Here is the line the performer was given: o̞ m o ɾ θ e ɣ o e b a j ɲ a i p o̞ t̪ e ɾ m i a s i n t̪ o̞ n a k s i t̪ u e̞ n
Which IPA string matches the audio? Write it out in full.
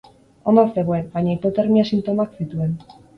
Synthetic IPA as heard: o̞ n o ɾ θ e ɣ o e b a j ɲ a i p o̞ t̪ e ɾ m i a s i n t̪ o̞ m a k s i t̪ u e̞ n